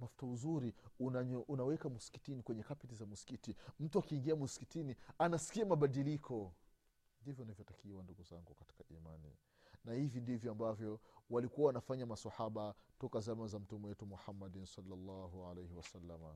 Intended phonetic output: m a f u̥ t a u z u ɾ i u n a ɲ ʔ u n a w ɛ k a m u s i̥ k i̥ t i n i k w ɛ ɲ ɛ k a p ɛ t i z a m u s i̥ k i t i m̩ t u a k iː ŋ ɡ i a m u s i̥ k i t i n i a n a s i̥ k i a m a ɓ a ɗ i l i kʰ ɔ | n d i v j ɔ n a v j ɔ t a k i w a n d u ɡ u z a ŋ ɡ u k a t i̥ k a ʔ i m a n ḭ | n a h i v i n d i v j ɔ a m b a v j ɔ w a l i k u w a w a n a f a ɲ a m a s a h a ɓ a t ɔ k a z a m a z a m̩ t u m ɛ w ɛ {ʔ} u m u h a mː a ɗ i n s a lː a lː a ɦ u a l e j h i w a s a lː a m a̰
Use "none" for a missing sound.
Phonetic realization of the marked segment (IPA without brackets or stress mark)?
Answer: t